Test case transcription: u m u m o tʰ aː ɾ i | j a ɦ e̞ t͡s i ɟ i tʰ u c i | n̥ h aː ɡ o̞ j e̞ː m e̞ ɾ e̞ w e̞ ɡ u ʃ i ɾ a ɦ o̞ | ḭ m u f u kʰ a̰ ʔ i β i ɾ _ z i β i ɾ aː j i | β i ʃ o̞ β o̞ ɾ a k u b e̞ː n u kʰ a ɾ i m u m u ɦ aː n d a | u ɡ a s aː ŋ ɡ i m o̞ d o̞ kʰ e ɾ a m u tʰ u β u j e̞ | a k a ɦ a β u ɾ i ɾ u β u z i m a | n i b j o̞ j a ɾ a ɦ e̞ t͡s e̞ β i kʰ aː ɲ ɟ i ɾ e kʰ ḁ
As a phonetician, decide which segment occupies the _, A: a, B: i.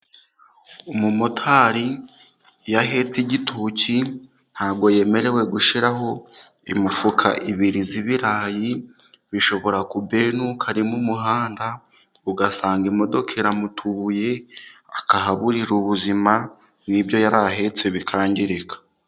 B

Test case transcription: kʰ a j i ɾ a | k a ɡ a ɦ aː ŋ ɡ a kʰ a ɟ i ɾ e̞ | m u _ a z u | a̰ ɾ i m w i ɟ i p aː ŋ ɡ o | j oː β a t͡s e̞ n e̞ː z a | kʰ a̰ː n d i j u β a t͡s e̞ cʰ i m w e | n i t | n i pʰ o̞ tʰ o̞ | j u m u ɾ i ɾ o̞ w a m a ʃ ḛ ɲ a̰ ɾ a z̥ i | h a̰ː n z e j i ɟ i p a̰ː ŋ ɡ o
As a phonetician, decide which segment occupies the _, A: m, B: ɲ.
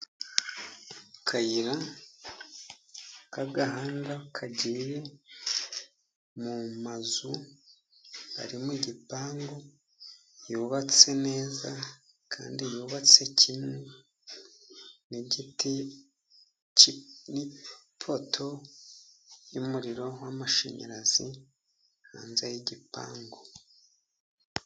A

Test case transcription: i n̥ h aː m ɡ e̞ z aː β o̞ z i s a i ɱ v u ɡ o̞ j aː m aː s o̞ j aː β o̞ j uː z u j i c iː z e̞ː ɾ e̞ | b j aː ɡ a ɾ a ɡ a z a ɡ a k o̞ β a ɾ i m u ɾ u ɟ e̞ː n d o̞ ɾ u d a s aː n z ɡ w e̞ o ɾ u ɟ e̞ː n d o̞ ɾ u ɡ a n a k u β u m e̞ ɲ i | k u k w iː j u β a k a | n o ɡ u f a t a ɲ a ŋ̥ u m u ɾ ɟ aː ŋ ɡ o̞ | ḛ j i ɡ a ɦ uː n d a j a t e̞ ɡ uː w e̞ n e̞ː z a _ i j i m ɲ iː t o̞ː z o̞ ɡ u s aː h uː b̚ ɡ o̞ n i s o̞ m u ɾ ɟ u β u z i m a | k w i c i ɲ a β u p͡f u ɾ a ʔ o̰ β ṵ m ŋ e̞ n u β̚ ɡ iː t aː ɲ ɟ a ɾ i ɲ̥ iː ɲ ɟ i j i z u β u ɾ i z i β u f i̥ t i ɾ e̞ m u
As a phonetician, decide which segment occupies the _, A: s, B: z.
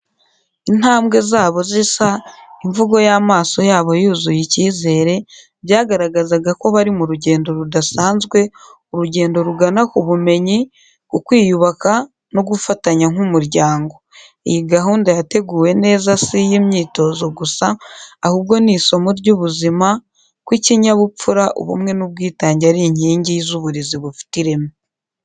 A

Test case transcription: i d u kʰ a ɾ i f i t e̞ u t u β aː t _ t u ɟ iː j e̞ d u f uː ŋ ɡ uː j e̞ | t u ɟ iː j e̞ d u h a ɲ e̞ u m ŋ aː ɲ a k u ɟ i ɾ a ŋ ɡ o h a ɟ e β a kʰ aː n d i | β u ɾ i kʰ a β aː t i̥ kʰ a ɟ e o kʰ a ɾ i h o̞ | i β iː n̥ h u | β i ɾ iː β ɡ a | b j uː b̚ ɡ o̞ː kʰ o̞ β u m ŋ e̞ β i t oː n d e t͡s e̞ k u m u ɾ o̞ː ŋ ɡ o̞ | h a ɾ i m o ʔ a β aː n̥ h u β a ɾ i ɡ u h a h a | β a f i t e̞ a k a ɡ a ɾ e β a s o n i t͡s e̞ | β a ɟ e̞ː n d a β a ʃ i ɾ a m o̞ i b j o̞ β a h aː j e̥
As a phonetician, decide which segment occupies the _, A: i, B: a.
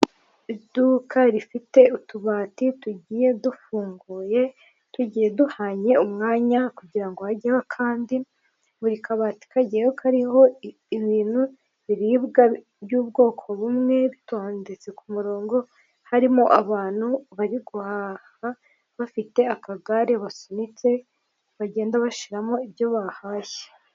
A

